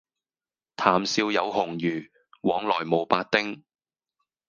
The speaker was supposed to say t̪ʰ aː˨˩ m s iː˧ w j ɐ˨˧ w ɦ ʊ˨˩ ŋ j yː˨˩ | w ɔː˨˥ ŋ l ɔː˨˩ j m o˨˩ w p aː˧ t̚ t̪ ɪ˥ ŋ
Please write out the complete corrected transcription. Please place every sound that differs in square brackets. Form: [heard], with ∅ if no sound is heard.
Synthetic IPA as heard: t̪ʰ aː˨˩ m s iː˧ w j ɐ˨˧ w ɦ ʊ˨˩ ŋ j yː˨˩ | w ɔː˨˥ ŋ l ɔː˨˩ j m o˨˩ w p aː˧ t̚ t̪ ɪ˥ ŋ